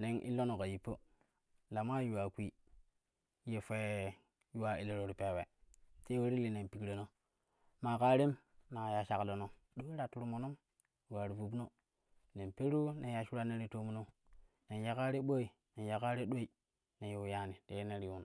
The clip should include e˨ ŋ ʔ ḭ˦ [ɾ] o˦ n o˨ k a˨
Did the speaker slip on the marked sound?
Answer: yes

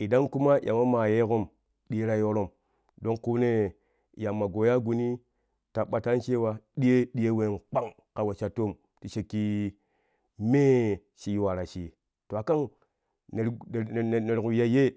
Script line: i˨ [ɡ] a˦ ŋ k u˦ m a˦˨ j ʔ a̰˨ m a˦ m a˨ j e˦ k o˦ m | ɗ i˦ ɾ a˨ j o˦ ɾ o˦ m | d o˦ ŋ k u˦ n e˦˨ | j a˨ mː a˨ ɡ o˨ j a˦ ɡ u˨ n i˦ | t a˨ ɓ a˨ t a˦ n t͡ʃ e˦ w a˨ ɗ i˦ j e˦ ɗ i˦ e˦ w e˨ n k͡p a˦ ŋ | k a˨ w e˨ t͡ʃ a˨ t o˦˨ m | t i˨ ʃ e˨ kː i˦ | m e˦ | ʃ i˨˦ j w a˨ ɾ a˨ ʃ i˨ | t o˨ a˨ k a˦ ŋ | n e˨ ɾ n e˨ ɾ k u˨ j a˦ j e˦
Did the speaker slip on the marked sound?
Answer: yes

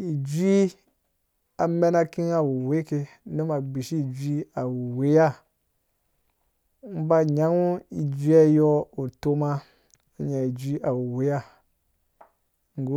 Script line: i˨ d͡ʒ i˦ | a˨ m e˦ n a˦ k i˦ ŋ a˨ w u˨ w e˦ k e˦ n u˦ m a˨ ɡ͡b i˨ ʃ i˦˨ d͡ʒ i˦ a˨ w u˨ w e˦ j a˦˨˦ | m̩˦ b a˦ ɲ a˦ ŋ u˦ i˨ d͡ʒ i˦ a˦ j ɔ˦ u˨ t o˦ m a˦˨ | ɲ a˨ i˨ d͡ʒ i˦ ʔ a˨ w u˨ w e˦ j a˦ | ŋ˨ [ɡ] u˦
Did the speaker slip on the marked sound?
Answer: no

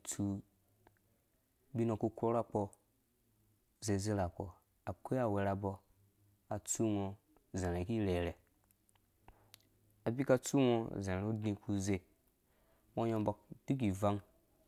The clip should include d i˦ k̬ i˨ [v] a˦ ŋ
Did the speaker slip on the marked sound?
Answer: no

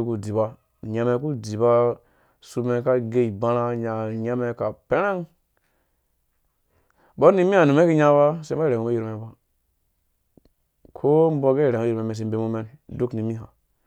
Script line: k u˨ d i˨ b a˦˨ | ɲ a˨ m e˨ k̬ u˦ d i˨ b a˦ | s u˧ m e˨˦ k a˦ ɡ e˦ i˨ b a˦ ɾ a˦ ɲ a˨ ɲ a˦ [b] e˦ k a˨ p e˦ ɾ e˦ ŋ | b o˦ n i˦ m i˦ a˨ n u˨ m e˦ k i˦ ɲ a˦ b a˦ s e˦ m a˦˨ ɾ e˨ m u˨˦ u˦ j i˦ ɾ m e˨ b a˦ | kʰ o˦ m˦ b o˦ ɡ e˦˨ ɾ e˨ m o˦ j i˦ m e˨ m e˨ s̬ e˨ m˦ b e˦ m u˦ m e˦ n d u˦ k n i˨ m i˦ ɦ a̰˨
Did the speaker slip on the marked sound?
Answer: yes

